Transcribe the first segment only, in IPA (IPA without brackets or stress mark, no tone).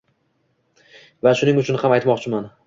v